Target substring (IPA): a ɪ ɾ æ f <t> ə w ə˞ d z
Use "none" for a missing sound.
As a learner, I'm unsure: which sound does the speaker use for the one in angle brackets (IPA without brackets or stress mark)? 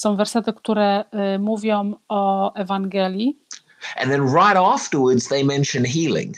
t